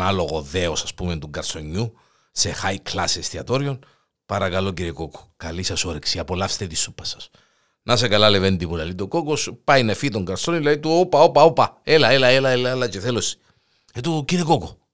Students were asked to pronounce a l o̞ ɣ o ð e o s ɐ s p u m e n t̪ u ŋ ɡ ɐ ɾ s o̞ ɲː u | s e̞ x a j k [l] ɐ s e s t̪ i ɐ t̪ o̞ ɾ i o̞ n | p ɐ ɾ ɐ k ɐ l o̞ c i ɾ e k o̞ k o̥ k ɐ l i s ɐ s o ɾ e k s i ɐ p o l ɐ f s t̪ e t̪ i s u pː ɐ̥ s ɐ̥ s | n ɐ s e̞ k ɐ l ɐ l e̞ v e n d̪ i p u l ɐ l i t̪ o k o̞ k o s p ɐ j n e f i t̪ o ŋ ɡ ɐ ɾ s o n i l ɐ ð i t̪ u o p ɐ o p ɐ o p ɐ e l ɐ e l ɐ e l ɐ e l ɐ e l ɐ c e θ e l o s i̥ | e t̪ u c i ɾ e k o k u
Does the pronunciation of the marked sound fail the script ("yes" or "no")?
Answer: no